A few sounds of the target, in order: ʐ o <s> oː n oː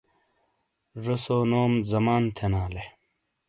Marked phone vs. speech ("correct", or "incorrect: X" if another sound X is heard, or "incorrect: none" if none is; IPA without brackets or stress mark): correct